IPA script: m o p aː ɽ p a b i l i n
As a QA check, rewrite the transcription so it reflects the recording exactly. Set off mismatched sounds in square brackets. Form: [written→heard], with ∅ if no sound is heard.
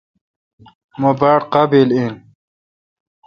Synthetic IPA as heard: m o [p→b] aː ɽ [p→q] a b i l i n